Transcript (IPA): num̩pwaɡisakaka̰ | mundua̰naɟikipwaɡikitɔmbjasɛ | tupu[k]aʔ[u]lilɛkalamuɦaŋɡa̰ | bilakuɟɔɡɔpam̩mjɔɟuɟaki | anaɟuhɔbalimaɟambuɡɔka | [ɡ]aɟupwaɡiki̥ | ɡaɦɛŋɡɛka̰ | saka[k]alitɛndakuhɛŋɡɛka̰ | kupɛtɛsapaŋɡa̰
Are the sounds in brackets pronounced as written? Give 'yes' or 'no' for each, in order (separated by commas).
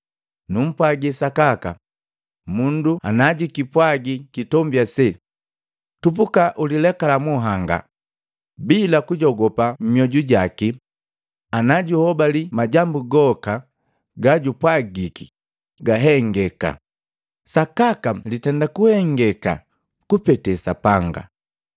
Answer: yes, yes, yes, yes